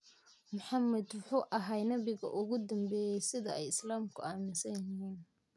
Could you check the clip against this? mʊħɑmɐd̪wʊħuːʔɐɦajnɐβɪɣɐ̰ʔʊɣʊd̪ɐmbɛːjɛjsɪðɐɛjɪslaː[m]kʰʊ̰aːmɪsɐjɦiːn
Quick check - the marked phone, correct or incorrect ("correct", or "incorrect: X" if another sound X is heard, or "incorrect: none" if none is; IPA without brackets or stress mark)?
correct